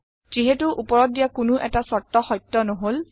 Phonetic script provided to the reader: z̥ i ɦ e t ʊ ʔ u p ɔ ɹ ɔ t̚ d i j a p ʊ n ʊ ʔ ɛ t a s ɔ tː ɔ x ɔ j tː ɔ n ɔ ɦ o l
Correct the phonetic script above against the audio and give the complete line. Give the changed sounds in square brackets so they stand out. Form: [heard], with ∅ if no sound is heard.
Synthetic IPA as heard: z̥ i ɦ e t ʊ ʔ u p ɔ ɹ ɔ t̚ d i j a [k] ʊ n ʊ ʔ ɛ t a s ɔ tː ɔ x ɔ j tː ɔ n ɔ ɦ o l